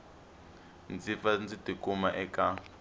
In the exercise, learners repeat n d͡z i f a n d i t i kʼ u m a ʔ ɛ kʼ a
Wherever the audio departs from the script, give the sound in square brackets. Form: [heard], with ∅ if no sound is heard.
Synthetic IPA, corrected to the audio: n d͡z i f a n [d͡z] i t i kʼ u m a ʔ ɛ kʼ a